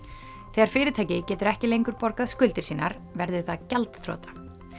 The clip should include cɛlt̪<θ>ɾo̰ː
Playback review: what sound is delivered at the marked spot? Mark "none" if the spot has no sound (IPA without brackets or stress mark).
θ